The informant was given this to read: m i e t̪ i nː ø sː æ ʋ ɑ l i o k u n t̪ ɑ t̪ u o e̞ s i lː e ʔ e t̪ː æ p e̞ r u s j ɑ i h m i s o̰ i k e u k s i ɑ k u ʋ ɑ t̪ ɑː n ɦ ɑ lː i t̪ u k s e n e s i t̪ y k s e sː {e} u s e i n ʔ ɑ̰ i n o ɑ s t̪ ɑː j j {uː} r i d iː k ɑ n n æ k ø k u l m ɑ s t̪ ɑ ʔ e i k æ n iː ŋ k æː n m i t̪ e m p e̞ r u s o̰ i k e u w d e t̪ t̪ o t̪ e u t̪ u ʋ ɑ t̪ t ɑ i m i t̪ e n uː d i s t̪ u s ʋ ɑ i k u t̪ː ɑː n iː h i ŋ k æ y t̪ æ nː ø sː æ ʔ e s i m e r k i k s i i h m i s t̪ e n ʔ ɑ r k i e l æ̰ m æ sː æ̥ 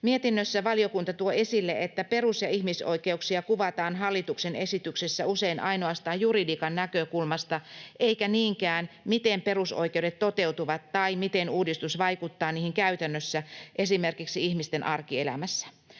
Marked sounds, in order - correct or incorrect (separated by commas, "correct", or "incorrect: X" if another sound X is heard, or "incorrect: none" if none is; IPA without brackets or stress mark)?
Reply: incorrect: æ, incorrect: u